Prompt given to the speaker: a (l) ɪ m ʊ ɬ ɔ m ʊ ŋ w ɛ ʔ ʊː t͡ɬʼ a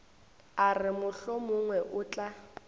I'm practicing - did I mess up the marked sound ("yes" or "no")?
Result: yes